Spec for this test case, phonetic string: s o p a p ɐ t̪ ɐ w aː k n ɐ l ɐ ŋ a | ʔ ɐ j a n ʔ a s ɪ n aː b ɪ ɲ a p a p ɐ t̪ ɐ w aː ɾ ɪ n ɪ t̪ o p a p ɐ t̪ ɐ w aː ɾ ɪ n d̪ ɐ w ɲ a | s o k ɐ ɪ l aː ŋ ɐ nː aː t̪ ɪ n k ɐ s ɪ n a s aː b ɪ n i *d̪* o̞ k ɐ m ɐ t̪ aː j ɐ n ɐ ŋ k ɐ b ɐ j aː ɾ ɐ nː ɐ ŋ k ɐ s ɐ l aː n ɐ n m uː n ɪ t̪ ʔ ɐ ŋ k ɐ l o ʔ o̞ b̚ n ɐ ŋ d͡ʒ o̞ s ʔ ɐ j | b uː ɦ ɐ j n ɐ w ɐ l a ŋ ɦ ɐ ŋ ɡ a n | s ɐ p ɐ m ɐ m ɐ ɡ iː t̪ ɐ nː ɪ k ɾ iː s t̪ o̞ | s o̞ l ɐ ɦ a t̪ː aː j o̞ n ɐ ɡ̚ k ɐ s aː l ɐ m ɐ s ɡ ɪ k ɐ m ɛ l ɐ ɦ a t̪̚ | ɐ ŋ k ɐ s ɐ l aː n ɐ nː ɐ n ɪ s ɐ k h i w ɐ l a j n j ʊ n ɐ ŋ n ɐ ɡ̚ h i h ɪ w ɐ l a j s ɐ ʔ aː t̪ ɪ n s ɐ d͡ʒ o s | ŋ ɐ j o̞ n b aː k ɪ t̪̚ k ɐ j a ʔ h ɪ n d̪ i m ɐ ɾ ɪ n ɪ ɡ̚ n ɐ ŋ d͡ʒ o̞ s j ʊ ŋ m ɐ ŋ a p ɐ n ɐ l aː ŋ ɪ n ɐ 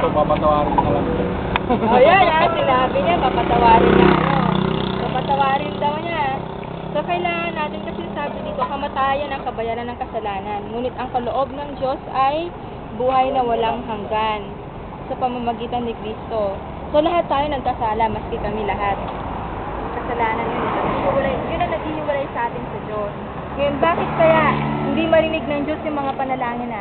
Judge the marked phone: incorrect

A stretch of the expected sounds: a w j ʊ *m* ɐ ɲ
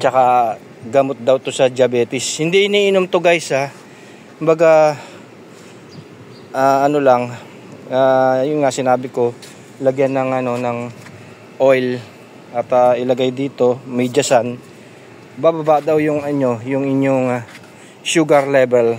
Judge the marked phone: incorrect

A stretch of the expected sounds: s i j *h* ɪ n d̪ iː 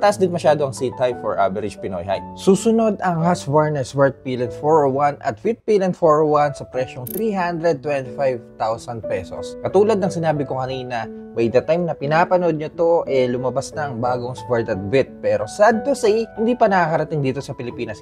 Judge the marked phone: correct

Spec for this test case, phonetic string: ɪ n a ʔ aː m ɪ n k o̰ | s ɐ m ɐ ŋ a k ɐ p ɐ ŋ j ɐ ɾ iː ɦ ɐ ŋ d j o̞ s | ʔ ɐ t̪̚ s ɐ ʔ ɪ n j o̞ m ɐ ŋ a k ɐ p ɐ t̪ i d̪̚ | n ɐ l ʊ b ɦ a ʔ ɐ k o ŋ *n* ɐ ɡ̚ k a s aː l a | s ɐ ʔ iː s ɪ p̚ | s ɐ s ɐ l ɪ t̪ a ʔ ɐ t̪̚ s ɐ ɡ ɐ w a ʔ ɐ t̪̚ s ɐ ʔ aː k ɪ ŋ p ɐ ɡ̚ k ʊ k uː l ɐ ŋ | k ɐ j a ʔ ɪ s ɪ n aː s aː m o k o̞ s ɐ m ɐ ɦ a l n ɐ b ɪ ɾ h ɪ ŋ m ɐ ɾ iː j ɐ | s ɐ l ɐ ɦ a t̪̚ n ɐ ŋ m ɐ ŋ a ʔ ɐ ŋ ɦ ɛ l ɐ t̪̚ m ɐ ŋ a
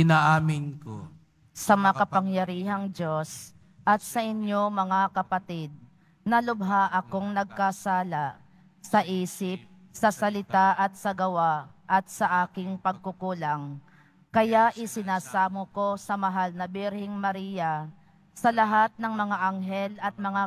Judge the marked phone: correct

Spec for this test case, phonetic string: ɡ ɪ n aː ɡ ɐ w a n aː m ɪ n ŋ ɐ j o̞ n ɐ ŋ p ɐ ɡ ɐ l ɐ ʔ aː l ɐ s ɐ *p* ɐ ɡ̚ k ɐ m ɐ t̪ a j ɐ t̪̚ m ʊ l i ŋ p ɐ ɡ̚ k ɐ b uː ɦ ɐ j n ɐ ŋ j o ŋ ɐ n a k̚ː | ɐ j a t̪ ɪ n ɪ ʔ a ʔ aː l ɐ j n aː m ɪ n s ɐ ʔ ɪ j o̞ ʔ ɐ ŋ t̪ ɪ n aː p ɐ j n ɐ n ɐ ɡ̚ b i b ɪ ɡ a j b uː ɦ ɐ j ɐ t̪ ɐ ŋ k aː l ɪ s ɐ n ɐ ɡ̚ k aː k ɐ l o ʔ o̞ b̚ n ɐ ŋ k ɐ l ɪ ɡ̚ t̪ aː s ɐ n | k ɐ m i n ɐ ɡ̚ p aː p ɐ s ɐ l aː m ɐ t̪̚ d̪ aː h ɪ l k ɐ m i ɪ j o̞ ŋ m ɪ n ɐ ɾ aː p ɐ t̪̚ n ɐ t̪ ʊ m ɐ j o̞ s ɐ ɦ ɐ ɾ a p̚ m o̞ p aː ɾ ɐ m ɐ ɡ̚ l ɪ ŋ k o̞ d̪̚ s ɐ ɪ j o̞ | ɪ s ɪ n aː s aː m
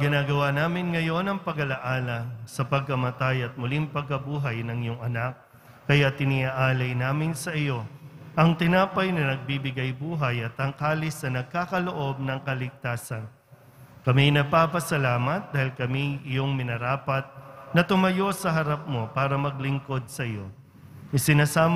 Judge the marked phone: correct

